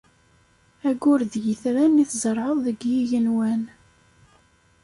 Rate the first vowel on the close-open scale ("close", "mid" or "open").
open